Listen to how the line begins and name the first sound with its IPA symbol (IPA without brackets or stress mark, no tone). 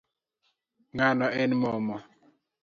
ŋ